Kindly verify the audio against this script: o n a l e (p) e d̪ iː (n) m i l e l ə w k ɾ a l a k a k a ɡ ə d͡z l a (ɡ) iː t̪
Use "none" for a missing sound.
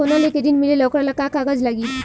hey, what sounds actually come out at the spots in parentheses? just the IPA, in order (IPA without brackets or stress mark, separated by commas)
k, n, ɡ